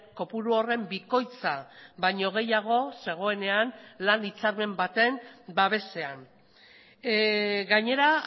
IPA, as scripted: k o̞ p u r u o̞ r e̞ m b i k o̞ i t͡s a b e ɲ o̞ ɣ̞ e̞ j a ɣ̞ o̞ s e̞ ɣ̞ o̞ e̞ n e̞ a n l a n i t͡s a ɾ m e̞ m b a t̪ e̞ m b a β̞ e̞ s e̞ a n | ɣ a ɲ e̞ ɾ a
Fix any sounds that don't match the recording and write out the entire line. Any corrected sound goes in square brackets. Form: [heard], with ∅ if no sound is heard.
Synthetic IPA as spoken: k o̞ p u [ɾ] u o̞ r e̞ m b i k o̞ [j] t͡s a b [a] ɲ o̞ ɣ̞ e̞ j a ɣ̞ o̞ s e̞ ɣ̞ o̞ e̞ n e̞ a n l a n i t͡s a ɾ m e̞ m b a t̪ e̞ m b a β̞ e̞ s e̞ a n | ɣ a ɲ e̞ ɾ a